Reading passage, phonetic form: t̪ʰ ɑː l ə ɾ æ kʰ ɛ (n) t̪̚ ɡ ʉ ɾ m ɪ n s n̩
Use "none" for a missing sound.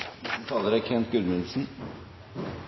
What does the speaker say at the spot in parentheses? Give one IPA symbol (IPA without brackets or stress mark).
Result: n